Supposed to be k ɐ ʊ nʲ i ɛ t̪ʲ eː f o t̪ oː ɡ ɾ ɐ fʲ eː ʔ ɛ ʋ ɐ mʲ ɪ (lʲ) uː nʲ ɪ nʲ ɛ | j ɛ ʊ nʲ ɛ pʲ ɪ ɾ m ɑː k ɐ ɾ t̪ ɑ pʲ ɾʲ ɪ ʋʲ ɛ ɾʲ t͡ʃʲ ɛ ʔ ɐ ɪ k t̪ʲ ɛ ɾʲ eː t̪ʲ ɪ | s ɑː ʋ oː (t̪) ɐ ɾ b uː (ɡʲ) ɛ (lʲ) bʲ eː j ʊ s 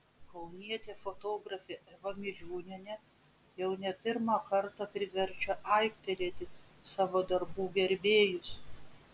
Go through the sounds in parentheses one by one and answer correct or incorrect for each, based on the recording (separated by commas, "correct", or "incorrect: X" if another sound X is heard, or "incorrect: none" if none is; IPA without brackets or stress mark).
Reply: correct, incorrect: d̪, correct, incorrect: ɾʲ